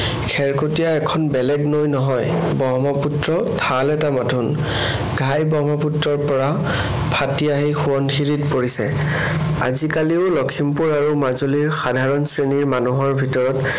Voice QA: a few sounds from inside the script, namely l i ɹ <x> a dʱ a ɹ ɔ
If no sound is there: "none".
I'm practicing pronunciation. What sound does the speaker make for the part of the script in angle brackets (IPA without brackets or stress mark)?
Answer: x